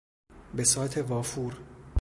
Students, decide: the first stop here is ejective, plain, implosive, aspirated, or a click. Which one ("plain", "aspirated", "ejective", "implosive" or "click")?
plain